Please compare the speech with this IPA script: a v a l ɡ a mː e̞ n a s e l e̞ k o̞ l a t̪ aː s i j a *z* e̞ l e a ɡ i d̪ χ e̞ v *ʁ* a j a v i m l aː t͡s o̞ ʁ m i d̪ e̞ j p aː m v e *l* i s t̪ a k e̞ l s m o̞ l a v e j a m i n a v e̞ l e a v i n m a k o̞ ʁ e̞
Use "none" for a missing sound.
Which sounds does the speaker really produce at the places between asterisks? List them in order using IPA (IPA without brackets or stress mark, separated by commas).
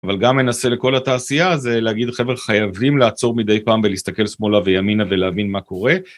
z, χ, l